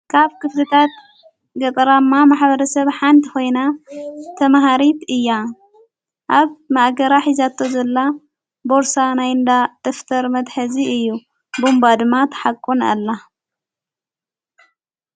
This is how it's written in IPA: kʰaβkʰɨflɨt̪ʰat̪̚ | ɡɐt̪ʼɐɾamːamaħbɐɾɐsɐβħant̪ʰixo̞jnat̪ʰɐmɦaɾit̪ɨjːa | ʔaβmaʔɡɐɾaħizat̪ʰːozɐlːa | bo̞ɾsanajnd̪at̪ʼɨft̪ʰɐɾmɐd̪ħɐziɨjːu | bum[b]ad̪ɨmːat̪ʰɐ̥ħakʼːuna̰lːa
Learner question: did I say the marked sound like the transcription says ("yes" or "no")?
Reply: yes